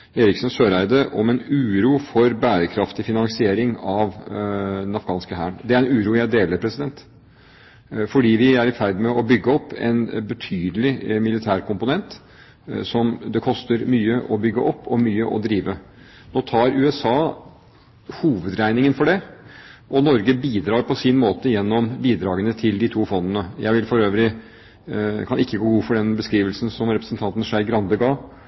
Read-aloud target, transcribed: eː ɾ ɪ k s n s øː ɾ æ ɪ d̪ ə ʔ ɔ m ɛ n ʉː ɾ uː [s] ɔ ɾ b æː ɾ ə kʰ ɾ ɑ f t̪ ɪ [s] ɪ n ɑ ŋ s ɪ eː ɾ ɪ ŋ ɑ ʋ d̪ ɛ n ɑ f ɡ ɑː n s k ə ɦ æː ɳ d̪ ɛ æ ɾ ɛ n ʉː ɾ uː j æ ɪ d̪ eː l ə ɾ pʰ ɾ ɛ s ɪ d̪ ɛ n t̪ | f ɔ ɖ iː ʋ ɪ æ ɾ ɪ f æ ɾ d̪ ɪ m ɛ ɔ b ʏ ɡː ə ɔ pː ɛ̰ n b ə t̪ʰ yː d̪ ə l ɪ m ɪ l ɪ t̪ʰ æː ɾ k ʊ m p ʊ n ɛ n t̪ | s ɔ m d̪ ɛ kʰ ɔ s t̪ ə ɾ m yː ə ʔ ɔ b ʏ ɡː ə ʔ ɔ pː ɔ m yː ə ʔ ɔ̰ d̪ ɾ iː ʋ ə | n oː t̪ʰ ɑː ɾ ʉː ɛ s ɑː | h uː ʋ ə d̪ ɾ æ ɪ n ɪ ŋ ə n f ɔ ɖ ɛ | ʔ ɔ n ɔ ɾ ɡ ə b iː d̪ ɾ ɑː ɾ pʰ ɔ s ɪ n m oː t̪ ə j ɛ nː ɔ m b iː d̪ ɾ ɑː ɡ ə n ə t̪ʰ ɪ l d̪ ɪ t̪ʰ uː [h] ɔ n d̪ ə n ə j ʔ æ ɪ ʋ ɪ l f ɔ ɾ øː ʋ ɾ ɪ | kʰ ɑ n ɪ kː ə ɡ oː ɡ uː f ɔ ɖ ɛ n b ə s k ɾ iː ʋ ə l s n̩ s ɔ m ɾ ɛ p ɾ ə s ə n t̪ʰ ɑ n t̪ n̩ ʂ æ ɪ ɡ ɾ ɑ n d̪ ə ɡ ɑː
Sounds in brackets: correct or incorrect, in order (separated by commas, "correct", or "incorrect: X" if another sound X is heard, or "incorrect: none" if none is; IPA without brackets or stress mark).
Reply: incorrect: f, incorrect: f, incorrect: f